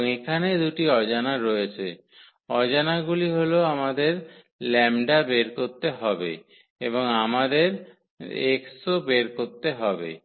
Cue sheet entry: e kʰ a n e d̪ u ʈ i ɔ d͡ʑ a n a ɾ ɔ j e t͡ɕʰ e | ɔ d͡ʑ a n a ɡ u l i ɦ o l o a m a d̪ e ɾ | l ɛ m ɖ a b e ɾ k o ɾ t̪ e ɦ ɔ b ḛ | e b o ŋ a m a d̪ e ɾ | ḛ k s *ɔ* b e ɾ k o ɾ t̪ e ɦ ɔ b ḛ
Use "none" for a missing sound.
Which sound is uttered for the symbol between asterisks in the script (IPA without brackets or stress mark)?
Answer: o